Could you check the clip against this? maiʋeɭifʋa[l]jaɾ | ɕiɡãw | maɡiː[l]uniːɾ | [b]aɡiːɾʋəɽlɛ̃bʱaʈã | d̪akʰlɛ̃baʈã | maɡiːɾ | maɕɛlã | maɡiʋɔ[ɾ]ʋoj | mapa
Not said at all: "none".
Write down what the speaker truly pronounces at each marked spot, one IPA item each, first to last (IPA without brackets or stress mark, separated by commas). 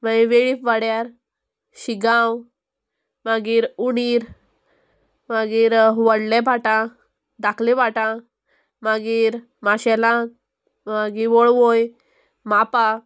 ɽ, ɾ, m, ɭ